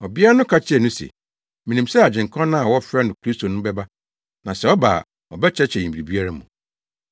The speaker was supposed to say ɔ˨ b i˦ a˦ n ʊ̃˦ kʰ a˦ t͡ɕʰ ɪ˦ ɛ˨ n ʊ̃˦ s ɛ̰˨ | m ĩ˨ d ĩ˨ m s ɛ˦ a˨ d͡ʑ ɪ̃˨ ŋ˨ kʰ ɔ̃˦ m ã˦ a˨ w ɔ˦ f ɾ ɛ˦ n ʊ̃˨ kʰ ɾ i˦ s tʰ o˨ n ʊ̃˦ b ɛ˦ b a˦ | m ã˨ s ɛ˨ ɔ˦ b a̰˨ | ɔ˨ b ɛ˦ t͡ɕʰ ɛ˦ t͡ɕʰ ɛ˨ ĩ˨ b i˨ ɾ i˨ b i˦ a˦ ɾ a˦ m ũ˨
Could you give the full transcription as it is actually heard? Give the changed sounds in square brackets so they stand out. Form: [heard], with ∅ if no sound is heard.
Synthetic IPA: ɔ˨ b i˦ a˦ n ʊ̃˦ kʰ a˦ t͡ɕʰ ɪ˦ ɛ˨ n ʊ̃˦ s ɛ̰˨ | m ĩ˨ [n] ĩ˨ m s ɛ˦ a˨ d͡ʑ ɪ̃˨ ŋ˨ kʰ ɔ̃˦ [n] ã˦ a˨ w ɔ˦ f ɾ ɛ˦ n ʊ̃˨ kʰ ɾ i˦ s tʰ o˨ n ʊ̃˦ b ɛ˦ b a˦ | [n] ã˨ s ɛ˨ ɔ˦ b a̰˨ | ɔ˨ b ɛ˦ t͡ɕʰ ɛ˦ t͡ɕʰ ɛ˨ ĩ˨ b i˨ ɾ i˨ b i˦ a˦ ɾ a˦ m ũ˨